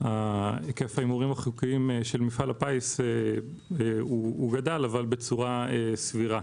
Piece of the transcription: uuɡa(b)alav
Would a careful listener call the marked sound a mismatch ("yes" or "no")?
yes